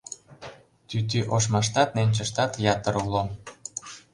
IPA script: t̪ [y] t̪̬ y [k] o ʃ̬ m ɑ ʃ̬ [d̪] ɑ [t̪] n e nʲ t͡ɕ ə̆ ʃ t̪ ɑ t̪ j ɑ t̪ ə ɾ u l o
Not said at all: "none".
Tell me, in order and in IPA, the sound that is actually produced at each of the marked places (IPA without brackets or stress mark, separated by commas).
y, ʔ, t̪, t̪